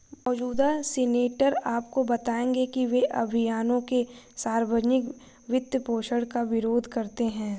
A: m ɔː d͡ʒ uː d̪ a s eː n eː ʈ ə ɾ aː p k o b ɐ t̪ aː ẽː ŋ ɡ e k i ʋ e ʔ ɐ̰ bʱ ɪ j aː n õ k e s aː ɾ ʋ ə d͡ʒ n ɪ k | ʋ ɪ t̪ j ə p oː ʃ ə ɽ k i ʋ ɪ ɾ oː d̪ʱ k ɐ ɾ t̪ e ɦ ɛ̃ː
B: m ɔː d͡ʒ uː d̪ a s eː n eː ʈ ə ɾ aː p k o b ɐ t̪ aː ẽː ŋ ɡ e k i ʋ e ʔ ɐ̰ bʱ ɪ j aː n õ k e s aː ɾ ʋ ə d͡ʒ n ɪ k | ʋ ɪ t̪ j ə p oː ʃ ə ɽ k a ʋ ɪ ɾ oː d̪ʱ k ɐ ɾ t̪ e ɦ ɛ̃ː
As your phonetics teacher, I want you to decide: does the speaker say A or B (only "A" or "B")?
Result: B